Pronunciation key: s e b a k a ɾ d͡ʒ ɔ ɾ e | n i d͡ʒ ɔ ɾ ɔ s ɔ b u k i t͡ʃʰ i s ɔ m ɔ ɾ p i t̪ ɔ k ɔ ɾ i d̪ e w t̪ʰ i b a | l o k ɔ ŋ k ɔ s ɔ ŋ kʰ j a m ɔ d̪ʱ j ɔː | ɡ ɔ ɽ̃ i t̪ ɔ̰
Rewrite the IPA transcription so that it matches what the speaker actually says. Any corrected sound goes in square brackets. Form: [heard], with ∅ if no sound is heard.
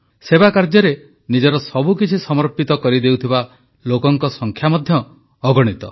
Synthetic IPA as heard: s e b a k a ɾ d͡ʒ ɔ ɾ e | n i d͡ʒ ɔ ɾ ɔ s ɔ b u k i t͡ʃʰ i s ɔ m ɔ ɾ p i t̪ ɔ k ɔ ɾ i d̪ e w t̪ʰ i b a | l o k ɔ ŋ k ɔ s ɔ ŋ kʰ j a m ɔ d̪ʱ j ɔː | ɡ ɔ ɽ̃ i t̪ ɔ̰